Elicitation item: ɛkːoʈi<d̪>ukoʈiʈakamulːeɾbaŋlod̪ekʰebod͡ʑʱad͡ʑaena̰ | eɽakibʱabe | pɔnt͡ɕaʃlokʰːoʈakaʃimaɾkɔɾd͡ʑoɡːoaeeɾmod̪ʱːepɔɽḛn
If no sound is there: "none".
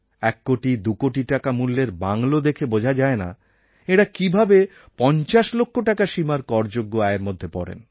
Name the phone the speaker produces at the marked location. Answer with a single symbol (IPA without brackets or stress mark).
d̪